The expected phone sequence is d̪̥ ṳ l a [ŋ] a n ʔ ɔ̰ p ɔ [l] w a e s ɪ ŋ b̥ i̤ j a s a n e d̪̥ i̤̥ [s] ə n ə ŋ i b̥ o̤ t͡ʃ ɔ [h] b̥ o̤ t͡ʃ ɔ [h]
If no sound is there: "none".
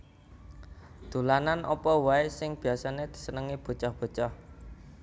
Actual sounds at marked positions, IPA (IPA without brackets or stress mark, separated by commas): n, none, s, h, h